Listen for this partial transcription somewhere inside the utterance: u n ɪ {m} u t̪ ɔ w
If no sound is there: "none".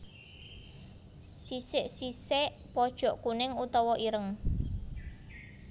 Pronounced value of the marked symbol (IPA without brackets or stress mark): ŋ